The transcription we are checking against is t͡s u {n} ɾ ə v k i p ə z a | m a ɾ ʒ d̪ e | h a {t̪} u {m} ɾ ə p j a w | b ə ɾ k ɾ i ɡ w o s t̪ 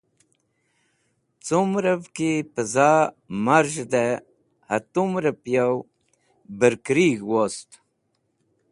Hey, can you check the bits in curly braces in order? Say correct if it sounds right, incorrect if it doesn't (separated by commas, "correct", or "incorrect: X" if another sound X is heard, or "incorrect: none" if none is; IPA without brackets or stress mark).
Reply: incorrect: m, correct, correct